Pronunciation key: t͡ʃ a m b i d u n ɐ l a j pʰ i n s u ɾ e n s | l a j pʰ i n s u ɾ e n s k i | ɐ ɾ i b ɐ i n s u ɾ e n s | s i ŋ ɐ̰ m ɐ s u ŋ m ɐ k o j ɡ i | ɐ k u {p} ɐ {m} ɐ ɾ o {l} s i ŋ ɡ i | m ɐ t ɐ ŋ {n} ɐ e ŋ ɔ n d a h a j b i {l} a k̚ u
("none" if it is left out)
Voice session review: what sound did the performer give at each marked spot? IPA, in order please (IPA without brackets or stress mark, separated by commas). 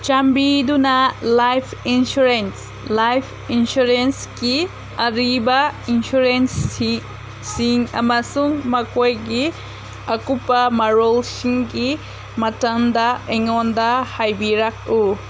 p, m, l, d, ɾ